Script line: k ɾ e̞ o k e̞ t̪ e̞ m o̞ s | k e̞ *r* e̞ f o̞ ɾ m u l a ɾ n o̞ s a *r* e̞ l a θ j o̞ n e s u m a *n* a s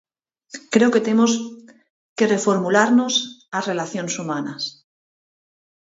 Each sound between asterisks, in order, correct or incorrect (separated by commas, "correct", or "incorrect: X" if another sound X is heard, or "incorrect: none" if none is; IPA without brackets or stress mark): correct, correct, correct